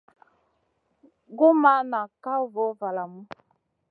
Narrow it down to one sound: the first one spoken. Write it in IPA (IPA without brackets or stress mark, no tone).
ɡ